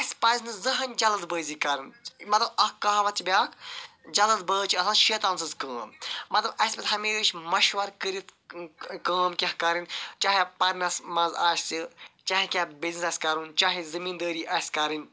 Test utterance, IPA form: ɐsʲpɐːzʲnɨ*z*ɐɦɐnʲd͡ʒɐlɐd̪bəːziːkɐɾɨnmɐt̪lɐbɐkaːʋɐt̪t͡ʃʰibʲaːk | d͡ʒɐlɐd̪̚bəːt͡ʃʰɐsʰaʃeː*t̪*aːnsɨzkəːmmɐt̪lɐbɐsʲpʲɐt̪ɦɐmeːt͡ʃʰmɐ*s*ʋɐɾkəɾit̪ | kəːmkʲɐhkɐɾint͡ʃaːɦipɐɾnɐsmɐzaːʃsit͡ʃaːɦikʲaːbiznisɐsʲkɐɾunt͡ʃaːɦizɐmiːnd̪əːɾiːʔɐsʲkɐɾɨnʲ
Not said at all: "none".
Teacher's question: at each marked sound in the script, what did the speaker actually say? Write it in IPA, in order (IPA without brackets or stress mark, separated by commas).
z, t̪, ʃ